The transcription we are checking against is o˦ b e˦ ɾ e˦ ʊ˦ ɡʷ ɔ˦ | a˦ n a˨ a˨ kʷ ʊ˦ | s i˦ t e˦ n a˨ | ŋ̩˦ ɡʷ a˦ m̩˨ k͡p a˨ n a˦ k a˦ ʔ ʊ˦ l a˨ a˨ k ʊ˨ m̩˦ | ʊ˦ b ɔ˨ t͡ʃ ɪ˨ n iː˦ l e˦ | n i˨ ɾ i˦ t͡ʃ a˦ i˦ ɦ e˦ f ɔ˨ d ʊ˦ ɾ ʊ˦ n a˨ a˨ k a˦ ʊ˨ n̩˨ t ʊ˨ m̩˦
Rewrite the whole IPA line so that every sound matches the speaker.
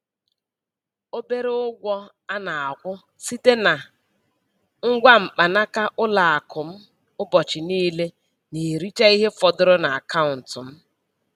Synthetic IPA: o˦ b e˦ ɾ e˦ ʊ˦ ɡʷ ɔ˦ | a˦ n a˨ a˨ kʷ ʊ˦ | s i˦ t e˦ n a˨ | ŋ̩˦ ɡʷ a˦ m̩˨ k͡p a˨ n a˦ k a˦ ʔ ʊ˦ l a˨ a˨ k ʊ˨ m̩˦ | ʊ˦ b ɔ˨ t͡ʃ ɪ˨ n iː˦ l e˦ | n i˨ ɾ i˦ t͡ʃ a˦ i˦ ɦ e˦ f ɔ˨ d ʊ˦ ɾ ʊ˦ n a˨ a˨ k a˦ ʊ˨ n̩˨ t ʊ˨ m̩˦